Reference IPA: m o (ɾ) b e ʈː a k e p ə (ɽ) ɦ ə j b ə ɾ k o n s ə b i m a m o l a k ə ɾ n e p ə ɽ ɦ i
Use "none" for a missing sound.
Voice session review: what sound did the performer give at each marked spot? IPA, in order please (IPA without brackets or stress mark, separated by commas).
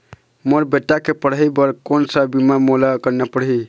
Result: ɾ, ɽ